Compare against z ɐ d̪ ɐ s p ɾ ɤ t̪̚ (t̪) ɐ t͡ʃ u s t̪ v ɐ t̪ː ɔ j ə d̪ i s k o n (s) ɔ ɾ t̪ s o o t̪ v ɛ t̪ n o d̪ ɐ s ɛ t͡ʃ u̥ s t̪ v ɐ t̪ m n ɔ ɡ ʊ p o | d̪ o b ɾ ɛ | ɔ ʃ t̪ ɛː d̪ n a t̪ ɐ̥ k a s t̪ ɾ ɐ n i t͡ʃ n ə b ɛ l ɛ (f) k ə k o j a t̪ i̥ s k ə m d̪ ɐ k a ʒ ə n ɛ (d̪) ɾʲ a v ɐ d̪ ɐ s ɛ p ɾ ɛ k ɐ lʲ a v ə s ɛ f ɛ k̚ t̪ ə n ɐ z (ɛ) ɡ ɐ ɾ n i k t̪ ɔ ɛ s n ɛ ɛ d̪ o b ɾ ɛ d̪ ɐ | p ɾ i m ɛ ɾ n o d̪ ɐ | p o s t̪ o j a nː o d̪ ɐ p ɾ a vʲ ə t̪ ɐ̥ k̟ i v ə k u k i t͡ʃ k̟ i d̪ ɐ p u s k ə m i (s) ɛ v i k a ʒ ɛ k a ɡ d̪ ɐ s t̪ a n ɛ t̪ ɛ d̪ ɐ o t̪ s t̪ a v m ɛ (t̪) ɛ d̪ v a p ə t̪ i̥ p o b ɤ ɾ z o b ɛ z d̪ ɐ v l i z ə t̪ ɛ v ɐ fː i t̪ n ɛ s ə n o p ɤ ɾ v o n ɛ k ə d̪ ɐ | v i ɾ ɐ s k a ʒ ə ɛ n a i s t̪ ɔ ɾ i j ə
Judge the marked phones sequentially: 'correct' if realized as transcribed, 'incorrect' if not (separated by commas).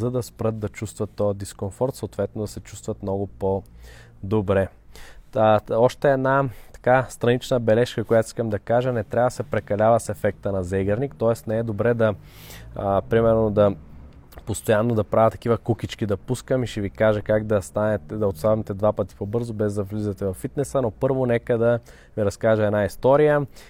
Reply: incorrect, incorrect, incorrect, incorrect, correct, incorrect, correct